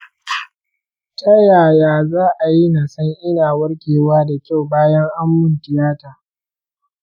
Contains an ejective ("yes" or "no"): no